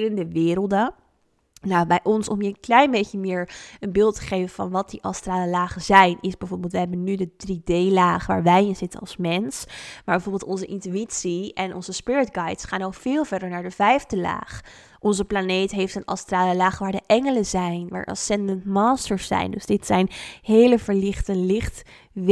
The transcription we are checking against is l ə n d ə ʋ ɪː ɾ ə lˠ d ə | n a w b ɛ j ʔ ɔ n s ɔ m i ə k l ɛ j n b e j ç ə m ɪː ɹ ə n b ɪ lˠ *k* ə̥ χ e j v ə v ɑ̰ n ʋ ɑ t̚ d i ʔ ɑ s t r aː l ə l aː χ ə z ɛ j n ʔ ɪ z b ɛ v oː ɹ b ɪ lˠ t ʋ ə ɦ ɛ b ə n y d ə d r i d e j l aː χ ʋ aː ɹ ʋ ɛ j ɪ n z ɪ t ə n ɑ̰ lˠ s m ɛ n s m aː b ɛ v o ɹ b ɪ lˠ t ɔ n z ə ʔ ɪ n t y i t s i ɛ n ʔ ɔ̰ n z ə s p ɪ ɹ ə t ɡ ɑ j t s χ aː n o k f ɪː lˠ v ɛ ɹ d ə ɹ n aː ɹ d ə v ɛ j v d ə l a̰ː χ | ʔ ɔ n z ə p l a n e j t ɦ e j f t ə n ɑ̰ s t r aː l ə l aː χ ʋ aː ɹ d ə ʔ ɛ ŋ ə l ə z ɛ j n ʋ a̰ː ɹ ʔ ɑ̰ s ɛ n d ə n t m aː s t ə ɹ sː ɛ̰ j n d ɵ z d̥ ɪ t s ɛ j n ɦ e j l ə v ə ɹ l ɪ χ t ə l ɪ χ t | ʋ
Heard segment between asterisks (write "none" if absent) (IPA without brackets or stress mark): t